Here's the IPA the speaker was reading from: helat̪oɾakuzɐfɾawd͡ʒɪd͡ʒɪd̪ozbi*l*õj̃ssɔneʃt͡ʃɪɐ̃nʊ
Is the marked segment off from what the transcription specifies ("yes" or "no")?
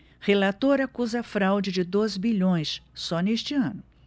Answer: yes